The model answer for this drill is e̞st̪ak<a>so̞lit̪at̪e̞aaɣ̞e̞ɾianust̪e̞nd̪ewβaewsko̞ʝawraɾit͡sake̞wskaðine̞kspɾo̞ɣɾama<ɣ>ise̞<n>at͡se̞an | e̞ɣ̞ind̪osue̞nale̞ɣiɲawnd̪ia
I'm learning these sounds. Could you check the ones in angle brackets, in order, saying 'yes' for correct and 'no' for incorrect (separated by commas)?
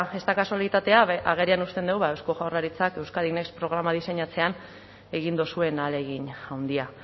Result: yes, no, no